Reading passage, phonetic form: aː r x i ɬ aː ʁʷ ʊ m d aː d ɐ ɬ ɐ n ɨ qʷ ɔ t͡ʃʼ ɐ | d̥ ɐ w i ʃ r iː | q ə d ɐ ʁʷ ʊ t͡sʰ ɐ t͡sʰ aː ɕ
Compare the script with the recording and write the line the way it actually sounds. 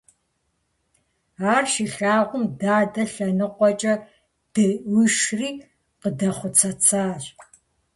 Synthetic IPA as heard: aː r ʃ i ɬ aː ʁʷ ʊ m d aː d ɐ ɬ ɐ n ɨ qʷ ɔ t͡ʃʼ ɐ | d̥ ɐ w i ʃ r iː | q ə d ɐ χʷ ʊ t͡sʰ ɐ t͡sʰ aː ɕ